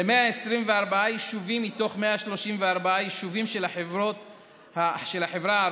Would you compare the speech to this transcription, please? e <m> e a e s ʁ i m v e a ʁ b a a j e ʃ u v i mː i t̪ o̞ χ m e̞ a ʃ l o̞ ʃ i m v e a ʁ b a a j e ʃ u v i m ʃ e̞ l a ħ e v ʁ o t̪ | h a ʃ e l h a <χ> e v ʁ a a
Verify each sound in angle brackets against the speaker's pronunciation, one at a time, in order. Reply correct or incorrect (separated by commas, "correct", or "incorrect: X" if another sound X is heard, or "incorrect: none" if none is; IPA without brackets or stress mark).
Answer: correct, incorrect: ħ